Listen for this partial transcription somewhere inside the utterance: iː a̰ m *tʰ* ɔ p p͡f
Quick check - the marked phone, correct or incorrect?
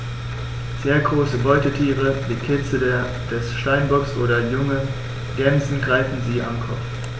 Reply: incorrect